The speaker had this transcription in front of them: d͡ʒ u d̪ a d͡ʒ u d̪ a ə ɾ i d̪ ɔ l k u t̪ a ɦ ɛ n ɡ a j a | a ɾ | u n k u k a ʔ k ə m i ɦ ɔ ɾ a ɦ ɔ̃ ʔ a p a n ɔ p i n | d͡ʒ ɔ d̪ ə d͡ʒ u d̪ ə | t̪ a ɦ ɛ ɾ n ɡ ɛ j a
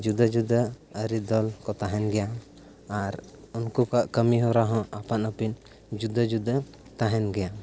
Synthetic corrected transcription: d͡ʒ u d̪ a d͡ʒ u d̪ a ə ɾ i d̪ ɔ l k ɔ t̪ a ɦ ɛ n ɡ ɛ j a | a ɾ | u n k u k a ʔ k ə m i ɦ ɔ ɾ a ɦ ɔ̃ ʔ a p a n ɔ p i n | d͡ʒ u d̪ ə d͡ʒ u d̪ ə | t̪ a ɦ ɛ n ɡ ɛ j a